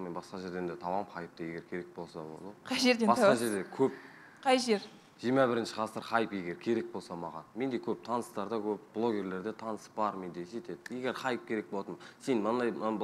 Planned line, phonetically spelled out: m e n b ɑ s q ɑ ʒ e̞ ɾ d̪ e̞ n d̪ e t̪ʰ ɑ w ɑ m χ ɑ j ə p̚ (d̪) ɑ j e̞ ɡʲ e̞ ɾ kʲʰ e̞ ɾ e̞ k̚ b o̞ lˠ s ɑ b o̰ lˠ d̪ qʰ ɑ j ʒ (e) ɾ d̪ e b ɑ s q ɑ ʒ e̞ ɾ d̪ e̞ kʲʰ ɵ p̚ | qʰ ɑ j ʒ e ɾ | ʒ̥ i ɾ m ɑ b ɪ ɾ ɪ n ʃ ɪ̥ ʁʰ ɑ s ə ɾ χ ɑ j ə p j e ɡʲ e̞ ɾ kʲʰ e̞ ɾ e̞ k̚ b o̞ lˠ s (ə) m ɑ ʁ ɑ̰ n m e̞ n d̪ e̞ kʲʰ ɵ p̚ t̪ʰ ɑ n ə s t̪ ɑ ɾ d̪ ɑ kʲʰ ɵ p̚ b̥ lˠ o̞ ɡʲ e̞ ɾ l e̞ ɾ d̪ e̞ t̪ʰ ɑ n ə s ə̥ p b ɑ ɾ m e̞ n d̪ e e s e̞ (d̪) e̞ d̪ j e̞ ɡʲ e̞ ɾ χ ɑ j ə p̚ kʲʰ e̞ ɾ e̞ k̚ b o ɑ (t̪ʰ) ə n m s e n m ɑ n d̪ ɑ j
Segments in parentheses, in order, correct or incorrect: incorrect: t̪, correct, incorrect: ɑ, incorrect: t̪, incorrect: t̪

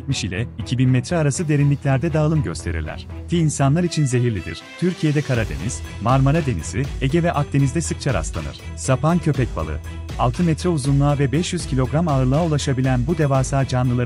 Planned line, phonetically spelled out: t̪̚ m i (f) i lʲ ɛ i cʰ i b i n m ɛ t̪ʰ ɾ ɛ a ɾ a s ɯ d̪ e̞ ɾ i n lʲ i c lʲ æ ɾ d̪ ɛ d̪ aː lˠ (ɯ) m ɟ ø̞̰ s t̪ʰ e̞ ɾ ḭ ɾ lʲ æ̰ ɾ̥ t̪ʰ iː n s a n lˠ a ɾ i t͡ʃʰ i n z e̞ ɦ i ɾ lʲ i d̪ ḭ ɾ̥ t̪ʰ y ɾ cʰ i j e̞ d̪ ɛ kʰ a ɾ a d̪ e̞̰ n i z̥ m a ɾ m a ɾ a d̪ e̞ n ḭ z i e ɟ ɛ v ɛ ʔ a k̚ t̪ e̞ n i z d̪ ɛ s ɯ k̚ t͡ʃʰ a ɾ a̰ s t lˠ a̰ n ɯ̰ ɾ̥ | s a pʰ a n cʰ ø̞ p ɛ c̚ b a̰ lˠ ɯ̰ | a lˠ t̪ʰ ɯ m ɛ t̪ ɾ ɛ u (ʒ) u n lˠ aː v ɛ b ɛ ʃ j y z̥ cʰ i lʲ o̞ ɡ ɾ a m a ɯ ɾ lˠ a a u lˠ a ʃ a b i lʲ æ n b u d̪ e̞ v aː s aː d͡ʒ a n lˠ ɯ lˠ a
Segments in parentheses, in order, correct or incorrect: incorrect: ʃ, correct, incorrect: z

